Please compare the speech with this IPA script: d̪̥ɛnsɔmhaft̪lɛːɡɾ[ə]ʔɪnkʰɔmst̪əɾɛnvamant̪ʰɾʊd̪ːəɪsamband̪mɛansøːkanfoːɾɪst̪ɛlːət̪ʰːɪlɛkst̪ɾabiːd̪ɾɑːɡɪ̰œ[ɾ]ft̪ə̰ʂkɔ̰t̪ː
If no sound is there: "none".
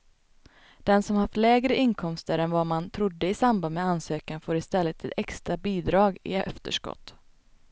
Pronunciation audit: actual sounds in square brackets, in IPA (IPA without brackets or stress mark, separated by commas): ə, none